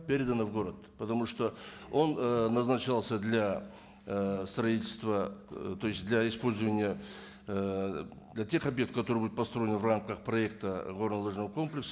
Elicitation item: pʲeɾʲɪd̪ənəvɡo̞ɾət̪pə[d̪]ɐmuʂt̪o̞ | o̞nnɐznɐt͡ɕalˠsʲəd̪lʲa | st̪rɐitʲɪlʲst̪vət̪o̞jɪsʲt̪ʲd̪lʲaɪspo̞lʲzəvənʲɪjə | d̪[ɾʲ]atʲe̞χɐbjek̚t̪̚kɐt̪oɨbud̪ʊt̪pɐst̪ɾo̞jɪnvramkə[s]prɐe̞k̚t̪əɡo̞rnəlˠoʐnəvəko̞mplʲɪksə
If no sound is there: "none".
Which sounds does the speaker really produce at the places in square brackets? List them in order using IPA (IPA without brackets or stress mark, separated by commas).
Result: t̪, lʲ, χ